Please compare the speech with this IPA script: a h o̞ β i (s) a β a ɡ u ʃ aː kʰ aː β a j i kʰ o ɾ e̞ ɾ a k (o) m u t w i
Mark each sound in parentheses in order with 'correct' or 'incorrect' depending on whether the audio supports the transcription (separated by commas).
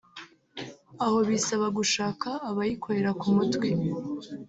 correct, incorrect